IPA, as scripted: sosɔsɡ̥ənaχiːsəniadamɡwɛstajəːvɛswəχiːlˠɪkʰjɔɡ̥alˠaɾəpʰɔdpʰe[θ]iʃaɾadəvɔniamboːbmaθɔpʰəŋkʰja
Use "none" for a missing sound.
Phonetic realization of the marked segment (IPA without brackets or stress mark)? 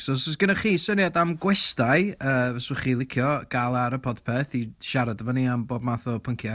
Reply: θ